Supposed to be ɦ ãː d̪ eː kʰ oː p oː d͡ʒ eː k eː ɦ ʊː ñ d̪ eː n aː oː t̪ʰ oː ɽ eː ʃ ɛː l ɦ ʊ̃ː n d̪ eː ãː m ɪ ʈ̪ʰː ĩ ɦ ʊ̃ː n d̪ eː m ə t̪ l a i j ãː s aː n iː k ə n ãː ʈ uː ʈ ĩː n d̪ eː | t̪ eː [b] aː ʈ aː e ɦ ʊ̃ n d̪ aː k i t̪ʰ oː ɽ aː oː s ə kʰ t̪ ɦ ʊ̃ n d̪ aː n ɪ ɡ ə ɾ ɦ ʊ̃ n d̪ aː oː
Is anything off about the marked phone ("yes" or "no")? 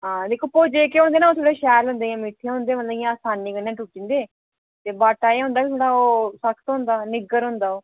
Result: no